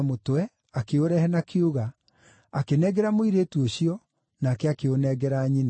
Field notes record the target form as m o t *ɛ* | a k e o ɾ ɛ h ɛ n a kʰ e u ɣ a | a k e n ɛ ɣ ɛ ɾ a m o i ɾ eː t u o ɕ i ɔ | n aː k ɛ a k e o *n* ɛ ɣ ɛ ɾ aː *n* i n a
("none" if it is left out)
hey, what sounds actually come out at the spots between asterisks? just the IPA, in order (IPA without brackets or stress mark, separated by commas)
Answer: ɛ, n, ɲ